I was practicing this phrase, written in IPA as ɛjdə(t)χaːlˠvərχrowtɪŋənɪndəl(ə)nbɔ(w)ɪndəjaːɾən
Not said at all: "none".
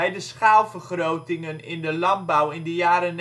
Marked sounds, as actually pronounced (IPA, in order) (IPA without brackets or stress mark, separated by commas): s, ɑ, w